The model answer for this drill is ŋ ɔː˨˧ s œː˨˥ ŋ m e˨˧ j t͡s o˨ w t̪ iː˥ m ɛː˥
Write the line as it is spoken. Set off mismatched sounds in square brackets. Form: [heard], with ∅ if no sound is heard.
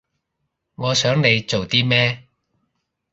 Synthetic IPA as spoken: ŋ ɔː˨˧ s œː˨˥ ŋ [n] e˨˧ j t͡s o˨ w t̪ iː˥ m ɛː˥